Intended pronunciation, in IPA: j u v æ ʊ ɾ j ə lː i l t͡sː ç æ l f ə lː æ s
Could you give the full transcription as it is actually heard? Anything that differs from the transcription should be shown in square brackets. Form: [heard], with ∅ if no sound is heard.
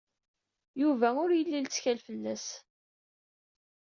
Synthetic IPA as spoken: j u v æ ʊ ɾ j ə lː i l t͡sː ç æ l f ə lː æ s